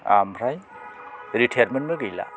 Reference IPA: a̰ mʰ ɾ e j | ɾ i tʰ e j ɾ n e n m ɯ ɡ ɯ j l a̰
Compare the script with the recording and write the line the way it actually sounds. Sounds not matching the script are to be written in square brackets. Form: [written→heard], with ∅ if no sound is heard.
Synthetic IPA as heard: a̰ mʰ ɾ [e→a] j | ɾ i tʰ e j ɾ [n→m] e n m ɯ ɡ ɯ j l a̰